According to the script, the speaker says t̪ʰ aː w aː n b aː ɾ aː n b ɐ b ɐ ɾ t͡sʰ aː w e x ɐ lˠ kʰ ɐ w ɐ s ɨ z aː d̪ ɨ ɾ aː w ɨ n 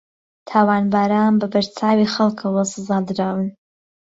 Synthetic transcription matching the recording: t̪ʰ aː w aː n b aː ɾ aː n b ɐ b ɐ ɾ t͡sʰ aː w i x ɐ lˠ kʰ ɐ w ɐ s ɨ z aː d̪ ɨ ɾ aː w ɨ n